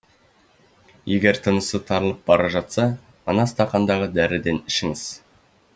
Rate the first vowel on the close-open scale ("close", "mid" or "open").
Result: mid